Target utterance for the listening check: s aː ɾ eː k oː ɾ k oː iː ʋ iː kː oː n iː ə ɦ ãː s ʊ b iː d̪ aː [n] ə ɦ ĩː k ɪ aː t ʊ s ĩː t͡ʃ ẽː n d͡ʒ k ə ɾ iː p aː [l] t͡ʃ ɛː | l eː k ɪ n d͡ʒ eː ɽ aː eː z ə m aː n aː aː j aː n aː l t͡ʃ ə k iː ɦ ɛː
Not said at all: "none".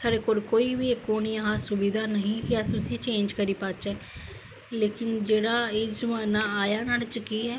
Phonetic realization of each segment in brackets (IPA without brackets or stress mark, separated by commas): n, none